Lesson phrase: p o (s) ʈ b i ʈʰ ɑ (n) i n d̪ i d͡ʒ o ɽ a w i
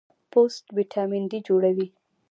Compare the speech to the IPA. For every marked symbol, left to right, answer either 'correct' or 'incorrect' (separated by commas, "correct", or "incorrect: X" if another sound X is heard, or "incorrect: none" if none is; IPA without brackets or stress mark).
correct, incorrect: m